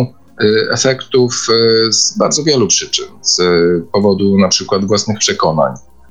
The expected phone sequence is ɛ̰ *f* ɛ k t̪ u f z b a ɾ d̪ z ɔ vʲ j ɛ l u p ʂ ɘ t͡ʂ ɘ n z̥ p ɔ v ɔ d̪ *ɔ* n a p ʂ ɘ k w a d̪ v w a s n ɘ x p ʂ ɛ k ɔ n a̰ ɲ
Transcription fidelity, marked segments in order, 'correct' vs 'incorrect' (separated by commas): correct, incorrect